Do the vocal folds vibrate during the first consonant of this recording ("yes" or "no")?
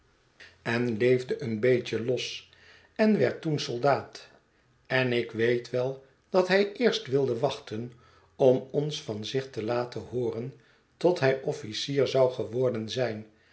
yes